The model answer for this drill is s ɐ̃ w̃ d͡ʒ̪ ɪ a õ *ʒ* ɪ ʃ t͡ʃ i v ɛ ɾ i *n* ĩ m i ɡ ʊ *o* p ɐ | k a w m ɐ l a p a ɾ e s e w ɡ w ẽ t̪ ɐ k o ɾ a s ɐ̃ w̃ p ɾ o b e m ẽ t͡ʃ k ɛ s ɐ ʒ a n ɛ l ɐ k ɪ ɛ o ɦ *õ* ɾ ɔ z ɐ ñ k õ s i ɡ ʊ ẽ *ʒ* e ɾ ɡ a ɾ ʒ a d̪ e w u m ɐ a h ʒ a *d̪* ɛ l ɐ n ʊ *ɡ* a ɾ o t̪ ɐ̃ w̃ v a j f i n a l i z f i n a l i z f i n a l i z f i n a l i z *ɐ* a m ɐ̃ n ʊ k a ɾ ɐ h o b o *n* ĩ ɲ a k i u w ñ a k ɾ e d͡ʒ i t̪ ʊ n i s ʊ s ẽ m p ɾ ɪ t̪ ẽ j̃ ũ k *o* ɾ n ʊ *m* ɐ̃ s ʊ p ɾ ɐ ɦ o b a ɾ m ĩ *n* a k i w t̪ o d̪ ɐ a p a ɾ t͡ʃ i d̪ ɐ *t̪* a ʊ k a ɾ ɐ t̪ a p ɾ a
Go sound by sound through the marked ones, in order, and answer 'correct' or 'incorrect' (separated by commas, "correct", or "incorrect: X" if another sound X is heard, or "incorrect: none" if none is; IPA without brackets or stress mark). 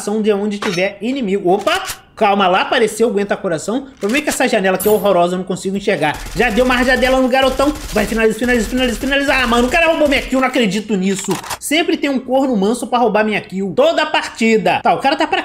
incorrect: d͡ʒ, correct, correct, incorrect: o, incorrect: ʃ, correct, correct, incorrect: a, incorrect: m, correct, correct, incorrect: ɲ, correct